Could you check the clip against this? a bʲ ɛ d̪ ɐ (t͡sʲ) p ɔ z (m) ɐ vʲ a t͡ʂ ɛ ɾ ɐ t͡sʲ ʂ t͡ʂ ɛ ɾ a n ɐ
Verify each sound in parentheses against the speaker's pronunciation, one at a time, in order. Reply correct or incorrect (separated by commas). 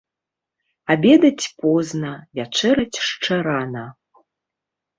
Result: correct, incorrect